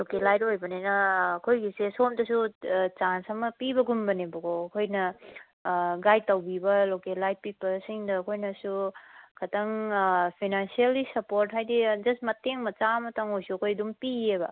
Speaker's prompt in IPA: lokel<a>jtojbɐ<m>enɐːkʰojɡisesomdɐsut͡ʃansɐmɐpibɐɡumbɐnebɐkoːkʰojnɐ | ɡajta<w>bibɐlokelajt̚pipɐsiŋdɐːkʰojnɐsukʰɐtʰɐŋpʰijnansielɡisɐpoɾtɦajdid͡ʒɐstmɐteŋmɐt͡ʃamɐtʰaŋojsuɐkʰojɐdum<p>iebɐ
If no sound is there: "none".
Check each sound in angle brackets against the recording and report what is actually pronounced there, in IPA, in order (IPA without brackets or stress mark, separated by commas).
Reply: a, n, w, p